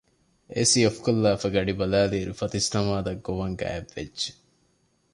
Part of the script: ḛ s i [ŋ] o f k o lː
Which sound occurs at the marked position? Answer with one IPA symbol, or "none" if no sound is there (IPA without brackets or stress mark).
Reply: none